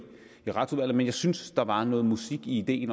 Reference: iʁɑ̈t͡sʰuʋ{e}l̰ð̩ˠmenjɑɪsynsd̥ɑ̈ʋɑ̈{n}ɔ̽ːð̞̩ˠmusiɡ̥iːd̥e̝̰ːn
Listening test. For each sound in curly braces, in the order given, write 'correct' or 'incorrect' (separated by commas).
incorrect, correct